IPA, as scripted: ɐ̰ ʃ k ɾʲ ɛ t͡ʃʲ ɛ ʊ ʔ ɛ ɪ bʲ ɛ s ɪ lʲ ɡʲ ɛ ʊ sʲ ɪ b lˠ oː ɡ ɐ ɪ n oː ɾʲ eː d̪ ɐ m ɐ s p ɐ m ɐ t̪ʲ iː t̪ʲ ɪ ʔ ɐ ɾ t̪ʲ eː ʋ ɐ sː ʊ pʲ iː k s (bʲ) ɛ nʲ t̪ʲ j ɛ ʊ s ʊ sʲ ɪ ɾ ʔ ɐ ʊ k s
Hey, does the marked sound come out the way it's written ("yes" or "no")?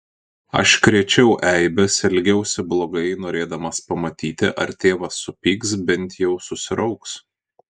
yes